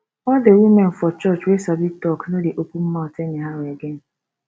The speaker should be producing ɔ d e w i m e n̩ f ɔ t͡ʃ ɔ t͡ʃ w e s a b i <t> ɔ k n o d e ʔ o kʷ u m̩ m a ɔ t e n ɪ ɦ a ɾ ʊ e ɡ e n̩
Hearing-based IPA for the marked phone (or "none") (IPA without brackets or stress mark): t